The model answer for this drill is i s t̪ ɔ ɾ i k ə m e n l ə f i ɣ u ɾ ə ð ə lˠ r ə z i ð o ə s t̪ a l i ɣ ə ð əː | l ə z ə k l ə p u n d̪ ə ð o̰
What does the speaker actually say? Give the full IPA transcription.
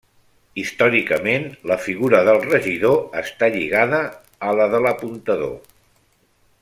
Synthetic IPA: i s t̪ ɔ ɾ i k ə m e n l ə f i ɣ u ɾ ə ð ə lˠ r ə ʒ i ð o ə s t̪ a ʎ i ɣ a ð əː | l ə ð ə l ə p u n t̪ ə ð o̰